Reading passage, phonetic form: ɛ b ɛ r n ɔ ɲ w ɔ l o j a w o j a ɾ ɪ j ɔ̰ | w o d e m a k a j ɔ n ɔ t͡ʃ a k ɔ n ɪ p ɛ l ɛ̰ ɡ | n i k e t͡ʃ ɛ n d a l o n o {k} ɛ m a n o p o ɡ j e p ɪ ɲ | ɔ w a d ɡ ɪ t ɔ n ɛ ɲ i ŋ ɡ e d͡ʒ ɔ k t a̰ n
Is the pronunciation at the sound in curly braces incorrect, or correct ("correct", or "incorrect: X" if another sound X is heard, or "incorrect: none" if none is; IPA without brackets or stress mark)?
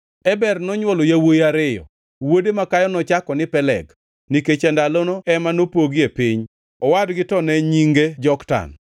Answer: incorrect: none